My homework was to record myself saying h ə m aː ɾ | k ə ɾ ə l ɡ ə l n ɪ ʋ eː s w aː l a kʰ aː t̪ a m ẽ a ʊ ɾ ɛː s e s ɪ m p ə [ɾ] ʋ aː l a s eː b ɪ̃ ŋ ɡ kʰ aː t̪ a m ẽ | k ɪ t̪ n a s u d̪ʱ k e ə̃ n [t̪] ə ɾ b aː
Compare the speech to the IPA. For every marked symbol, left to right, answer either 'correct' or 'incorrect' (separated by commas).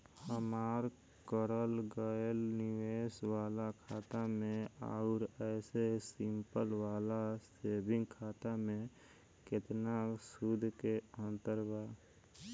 incorrect, correct